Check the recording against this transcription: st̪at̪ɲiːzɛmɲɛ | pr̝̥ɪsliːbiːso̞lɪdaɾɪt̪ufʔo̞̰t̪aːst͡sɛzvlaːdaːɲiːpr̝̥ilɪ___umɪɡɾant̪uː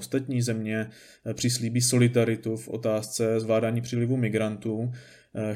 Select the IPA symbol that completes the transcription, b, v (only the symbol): v